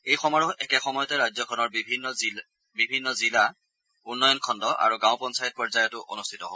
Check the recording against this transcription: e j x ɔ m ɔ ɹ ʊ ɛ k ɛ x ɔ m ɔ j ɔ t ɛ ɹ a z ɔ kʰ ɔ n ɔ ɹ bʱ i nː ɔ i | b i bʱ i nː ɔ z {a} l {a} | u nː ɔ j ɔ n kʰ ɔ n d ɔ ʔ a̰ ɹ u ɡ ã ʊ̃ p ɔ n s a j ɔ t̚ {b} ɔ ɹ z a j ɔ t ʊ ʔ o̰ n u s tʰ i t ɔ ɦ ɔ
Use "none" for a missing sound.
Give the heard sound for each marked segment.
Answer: i, a, p

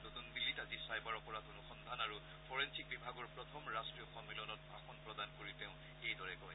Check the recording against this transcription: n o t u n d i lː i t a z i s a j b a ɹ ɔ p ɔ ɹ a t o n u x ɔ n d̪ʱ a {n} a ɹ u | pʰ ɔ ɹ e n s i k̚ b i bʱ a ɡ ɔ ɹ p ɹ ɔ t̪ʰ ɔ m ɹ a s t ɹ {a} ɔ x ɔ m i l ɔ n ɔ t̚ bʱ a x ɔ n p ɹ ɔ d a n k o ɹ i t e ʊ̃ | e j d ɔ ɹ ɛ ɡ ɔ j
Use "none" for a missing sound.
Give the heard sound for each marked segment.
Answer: n, i

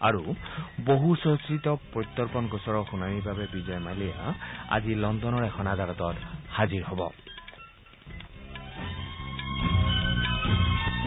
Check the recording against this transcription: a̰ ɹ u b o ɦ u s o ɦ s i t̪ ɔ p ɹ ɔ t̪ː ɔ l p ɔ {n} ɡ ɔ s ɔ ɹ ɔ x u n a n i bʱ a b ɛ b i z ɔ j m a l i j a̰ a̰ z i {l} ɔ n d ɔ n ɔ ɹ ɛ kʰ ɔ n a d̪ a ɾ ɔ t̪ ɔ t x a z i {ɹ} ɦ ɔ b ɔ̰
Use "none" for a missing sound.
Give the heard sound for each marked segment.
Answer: n, l, ɹ

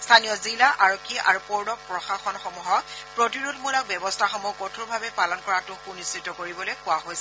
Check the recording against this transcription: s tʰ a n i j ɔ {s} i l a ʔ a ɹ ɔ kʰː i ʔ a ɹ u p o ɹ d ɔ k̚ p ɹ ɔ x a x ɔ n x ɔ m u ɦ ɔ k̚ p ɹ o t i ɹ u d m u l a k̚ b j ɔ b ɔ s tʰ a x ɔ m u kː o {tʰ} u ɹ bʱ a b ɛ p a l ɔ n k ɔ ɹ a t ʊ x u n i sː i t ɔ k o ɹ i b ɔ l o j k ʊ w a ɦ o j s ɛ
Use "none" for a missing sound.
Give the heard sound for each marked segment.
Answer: z, tʰ

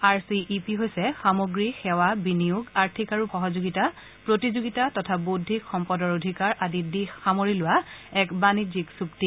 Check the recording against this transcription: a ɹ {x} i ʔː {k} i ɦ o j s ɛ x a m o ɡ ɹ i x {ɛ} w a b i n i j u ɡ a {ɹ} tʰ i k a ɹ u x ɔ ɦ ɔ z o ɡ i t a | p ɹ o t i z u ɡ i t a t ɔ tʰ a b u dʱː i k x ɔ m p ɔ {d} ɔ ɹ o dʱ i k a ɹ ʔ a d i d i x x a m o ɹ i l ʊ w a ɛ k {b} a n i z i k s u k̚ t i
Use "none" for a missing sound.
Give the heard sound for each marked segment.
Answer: s, p, ɛ, ɹ, d, b

